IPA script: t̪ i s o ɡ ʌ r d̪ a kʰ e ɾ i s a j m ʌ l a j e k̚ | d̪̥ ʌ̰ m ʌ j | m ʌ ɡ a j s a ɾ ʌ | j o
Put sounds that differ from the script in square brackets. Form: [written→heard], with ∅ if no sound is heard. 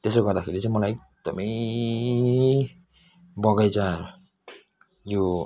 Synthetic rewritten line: t̪ [i→e] s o ɡ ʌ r d̪ a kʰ e ɾ i [s→t͡s] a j m ʌ l a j e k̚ | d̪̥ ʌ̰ m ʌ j | [m→b] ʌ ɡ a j [s→t͡s] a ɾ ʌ | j o